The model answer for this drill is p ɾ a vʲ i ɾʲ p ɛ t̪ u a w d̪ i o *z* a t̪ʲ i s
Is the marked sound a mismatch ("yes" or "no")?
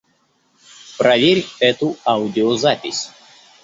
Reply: no